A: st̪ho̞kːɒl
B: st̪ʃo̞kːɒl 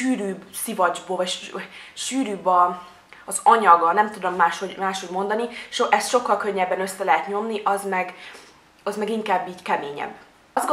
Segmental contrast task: B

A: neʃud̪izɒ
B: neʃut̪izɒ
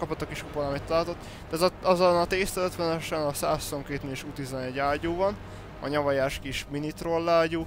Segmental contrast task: B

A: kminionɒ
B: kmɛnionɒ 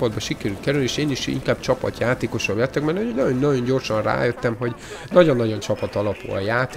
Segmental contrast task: B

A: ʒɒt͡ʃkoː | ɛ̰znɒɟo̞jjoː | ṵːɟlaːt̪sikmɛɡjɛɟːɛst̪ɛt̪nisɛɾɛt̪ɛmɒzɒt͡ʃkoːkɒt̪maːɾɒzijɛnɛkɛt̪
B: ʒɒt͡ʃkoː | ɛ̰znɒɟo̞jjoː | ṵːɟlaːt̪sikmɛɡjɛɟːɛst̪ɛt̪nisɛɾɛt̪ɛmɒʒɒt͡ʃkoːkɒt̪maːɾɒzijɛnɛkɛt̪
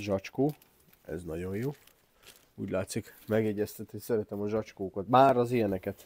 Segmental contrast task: B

